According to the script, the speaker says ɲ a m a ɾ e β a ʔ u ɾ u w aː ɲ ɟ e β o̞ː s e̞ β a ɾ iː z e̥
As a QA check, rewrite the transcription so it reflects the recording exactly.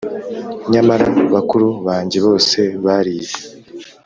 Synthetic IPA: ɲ a m a ɾ a β a k u ɾ u β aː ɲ ɟ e β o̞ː s e̞ β a ɾ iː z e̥